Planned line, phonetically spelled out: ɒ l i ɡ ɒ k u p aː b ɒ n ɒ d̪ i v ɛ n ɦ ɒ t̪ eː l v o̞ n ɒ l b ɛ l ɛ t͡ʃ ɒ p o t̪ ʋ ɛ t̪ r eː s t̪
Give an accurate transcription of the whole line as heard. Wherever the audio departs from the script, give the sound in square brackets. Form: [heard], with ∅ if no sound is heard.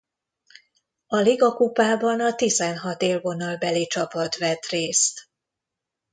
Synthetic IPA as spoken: ɒ l i ɡ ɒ k u p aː b ɒ n ɒ [t̪] i [z] ɛ n ɦ ɒ t̪ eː l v o̞ n ɒ l b ɛ l [i] t͡ʃ ɒ p [ɒ] t̪ ʋ ɛ t̪ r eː s t̪